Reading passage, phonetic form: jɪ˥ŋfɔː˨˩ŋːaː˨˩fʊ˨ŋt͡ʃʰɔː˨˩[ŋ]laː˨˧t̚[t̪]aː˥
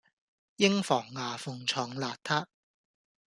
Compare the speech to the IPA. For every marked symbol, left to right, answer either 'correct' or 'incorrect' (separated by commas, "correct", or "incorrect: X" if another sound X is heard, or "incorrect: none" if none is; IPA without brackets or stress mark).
correct, incorrect: t̪ʰ